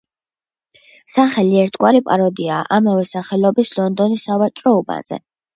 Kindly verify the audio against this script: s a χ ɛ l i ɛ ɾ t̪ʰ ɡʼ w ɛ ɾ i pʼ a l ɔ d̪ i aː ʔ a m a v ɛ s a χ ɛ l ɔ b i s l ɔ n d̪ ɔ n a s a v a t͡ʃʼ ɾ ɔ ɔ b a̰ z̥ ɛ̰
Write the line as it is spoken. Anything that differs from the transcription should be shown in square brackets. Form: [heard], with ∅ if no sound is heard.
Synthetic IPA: s a χ ɛ l i ɛ ɾ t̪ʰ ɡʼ w [a] ɾ i pʼ a [ɾ] ɔ d̪ i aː ʔ a m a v ɛ s a χ ɛ l ɔ b i s l ɔ n d̪ ɔ n [i] s a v a t͡ʃʼ ɾ ɔ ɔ b a̰ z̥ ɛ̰